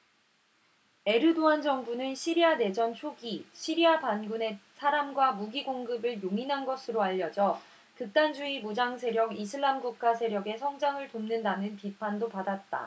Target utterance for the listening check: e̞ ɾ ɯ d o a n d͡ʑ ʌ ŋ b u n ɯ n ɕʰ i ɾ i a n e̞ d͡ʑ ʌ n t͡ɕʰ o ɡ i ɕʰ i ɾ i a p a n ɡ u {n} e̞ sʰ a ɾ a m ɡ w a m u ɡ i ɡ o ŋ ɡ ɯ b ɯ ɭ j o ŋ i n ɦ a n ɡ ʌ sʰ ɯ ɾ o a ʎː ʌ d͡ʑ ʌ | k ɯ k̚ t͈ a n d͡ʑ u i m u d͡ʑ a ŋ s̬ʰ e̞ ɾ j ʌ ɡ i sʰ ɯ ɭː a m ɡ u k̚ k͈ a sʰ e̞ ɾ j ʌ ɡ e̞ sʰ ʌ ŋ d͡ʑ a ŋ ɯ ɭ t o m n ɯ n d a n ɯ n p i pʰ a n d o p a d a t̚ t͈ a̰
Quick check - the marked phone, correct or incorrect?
correct